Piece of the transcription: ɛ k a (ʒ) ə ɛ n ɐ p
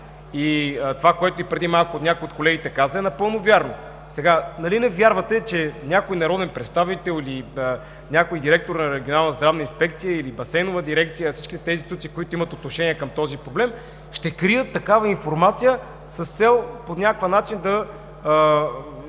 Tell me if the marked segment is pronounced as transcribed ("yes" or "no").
no